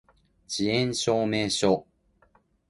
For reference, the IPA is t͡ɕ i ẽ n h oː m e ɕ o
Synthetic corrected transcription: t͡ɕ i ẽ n ɕ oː m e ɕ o

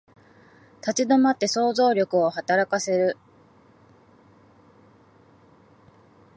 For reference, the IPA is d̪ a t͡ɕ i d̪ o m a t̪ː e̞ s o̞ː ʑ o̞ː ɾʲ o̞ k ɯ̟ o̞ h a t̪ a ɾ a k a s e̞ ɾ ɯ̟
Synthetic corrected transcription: t̪ a t͡ɕ i d̪ o m a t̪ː e̞ s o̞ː z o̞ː ɾʲ o̞ k ɯ̟ o̞ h a t̪ a ɾ a k a s e̞ ɾ ɯ̟

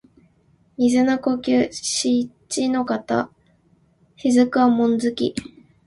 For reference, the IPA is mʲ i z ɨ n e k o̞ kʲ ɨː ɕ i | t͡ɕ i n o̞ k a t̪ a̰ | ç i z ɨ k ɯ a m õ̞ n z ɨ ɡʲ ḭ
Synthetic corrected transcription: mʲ i z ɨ n a k o̞ kʲ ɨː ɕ i | t͡ɕ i n o̞ k a t̪ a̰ | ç i z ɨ k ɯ a m õ̞ n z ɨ kʲ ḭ

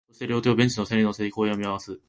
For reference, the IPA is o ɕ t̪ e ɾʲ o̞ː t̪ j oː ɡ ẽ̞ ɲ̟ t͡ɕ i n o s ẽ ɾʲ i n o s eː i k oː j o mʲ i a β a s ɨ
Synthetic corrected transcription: o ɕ t̪ e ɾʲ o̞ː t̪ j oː b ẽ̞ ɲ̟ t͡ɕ i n o s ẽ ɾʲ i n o s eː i k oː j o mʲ i a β a s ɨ

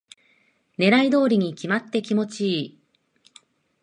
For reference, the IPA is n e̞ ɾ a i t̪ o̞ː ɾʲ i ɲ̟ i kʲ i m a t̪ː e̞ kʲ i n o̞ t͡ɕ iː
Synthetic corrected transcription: n e̞ ɾ a i d̪ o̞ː ɾʲ i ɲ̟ i kʲ i m a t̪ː e̞ kʲ i m o̞ t͡ɕ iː

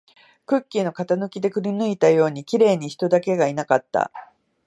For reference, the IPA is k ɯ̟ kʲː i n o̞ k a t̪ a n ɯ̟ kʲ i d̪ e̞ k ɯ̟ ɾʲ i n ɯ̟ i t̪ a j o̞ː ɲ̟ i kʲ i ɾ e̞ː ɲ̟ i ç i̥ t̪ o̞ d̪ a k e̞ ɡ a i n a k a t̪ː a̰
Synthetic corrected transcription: k ɯ̟ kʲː i n o̞ k a t̪ a n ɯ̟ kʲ i d̪ e̞ k ɯ̟ ɾʲ i n ɯ̟ i t̪ a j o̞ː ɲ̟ i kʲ i ɾ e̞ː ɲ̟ i ç i̥ t̪ o̞ d̪ a k e̞ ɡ a i n a k a t̪ː a̰

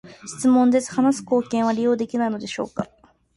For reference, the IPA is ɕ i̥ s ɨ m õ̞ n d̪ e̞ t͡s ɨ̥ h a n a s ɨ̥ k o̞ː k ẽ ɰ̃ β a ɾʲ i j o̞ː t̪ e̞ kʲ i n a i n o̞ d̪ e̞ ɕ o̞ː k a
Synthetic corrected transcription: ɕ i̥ t͡s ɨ m õ̞ n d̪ e̞ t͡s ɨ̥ h a n a s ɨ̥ k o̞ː k ẽ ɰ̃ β a ɾʲ i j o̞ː d̪ e̞ kʲ i n a i n o̞ d̪ e̞ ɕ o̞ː k a

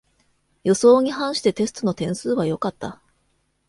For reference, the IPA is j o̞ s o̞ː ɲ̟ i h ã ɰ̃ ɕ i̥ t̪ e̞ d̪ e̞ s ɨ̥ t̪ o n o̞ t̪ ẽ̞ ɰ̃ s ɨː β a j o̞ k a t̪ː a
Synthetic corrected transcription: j o̞ s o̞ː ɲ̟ i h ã ɰ̃ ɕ i̥ t̪ e̞ t̪ e̞ s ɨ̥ t̪ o n o̞ t̪ ẽ̞ ɰ̃ s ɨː β a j o̞ k a t̪ː a

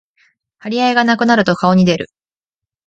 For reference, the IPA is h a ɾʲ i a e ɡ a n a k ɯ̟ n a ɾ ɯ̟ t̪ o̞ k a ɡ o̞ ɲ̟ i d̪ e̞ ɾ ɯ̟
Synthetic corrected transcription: h a ɾʲ i a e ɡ a n a k ɯ̟ n a ɾ ɯ̟ t̪ o̞ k a o̞ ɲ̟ i d̪ e̞ ɾ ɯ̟

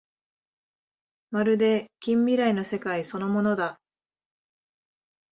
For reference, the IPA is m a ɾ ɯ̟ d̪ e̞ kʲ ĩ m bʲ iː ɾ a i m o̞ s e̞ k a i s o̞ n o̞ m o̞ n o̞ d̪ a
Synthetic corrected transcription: m a ɾ ɯ̟ d̪ e̞ kʲ ĩ m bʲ i ɾ a i n o̞ s e̞ k a i s o̞ n o̞ m o̞ n o̞ d̪ a

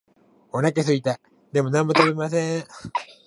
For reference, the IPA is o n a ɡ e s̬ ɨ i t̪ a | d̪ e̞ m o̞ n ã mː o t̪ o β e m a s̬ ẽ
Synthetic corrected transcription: o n a k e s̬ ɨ i t̪ a | d̪ e̞ m o̞ n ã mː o t̪ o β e m a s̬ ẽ

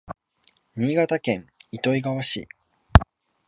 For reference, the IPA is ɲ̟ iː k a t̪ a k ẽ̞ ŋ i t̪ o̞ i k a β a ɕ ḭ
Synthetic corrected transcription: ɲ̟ iː ɡ a t̪ a k ẽ̞ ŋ i t̪ o̞ i ɡ a β a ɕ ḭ

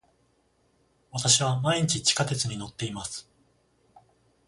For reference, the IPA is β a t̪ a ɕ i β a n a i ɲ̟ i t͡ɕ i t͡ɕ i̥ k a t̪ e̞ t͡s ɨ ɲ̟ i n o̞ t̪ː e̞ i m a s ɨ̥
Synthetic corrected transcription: β a t̪ a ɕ i β a m a i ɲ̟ i t͡ɕ i t͡ɕ i̥ k a t̪ e̞ t͡s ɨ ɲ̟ i n o̞ t̪ː e̞ i m a s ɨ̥

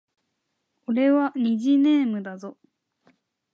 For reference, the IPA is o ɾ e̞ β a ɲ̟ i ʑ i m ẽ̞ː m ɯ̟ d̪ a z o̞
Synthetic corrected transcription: o ɾ e̞ β a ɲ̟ i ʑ i n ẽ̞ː m ɯ̟ d̪ a z o̞

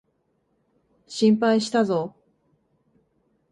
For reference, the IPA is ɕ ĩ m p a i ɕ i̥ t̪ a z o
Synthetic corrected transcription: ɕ ĩ m p a i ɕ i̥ t̪ a z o

